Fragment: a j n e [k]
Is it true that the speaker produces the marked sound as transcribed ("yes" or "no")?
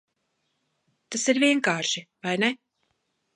no